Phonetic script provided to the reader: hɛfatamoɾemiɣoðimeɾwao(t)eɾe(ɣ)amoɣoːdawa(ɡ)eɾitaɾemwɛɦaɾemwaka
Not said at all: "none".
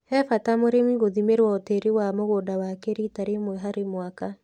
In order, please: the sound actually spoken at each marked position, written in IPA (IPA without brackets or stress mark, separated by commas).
t, w, k